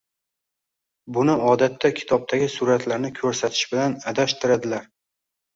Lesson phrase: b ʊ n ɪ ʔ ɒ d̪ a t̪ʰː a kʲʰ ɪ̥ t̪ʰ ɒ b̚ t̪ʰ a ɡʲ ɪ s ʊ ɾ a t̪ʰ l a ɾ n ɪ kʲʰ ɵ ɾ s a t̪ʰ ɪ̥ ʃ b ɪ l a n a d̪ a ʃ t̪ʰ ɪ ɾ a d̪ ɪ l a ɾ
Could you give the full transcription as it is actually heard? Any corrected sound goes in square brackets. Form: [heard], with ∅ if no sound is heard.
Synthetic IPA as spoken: b ʊ n ɪ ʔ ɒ d̪ a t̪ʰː a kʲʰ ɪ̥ t̪ʰ ɒ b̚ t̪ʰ a ɡʲ ɪ s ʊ ɾ a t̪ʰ l a ɾ n ɪ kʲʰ ɵ ɾ s a t̪ʰ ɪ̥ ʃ b ɪ l a n a d̪ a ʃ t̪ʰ ɪ ɾ a d̪ ɪ l a ɾ